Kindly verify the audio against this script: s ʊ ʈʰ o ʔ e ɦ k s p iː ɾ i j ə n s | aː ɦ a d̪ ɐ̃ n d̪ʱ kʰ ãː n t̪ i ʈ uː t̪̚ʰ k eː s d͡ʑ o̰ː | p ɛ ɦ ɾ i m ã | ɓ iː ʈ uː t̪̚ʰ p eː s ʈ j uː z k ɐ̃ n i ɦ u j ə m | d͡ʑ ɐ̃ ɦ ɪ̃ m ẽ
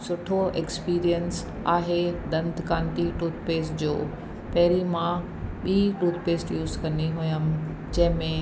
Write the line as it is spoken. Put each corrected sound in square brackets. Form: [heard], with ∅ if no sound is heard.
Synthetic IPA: s ʊ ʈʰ o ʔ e [∅] k s p iː ɾ i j ə n s | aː ɦ [e] d̪ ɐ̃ n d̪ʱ [k] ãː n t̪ i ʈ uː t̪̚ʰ [p] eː s d͡ʑ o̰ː | p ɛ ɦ ɾ i m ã | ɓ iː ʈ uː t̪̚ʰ p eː s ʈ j uː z k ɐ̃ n i ɦ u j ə m | d͡ʑ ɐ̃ ɦ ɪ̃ m ẽ

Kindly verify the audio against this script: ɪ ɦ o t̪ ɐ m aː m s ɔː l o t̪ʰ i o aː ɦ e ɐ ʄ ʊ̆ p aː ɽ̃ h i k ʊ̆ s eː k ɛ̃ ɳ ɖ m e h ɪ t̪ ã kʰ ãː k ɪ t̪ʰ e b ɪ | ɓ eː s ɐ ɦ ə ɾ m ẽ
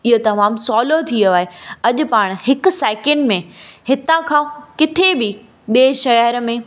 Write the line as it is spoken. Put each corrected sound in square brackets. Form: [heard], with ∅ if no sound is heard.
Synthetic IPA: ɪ ɦ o t̪ ɐ m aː m s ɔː l o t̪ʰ i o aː ɦ e ɐ ʄ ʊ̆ p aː ɽ̃ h [ɪ] k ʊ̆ s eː k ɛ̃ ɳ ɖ m [ẽ] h ɪ t̪ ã kʰ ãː k ɪ t̪ʰ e b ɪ | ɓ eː [ʃ] ɐ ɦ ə ɾ m ẽ

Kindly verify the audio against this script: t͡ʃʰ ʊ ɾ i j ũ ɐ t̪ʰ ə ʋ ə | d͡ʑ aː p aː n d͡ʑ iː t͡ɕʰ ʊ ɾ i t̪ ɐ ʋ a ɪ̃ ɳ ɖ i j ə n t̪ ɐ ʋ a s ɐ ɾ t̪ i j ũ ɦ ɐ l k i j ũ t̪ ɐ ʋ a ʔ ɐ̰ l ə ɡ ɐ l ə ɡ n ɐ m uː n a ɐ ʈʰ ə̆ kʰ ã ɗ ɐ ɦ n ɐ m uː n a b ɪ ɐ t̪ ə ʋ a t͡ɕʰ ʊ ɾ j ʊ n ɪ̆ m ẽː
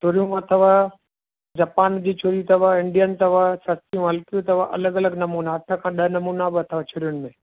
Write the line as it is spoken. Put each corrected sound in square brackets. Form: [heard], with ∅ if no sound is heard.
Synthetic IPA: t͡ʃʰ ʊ ɾ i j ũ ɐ t̪ʰ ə ʋ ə | d͡ʑ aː p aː n d͡ʑ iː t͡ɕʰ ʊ ɾ i t̪ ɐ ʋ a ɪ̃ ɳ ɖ i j ə n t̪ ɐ ʋ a s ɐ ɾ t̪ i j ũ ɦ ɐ l k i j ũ t̪ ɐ ʋ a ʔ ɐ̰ l ə ɡ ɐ l ə ɡ n ɐ m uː n a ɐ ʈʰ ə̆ kʰ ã ɗ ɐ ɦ n ɐ m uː n a b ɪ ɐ [t̪ʰ] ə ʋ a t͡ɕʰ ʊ ɾ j ʊ n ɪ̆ m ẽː

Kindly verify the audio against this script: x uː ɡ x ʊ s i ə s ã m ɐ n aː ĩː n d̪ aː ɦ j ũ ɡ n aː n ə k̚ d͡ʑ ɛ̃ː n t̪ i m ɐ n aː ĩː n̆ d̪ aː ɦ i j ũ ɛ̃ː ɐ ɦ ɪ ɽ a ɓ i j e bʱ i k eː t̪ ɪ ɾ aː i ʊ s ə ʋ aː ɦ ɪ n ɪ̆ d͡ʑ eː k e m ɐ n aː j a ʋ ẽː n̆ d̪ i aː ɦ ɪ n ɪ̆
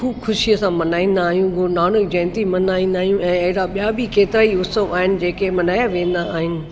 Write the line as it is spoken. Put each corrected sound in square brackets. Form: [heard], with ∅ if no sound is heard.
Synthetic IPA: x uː [b] x ʊ [ʃ] i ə s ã m ɐ n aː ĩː n d̪ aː ɦ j ũ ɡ n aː n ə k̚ d͡ʑ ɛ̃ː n t̪ i m ɐ n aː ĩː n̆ d̪ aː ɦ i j ũ ɛ̃ː ɐ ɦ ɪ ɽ a ɓ i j [a] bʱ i k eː t̪ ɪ ɾ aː i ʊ s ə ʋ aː ɦ ɪ n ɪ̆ d͡ʑ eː k e m ɐ n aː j a ʋ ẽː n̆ d̪ [a] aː ɦ ɪ n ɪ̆

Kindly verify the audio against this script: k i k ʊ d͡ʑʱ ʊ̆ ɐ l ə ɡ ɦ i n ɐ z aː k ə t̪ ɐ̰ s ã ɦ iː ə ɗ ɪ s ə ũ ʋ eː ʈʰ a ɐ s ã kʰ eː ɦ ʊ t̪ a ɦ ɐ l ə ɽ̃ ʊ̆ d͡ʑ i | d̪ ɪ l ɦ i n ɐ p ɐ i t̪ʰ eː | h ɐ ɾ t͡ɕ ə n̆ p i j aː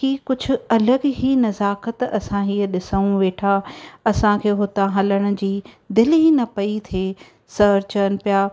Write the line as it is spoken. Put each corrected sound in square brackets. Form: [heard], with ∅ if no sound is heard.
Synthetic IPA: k i k ʊ d͡ʑʱ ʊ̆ ɐ l ə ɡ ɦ i n ɐ z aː k ə t̪ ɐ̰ s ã ɦ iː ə ɗ ɪ s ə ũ ʋ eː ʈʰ a ɐ s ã kʰ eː ɦ ʊ t̪ a ɦ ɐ l ə ɽ̃ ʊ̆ d͡ʑ [iː] | d̪ ɪ l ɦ i n ɐ p ɐ i t̪ʰ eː | [s] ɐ ɾ t͡ɕ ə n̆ p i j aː

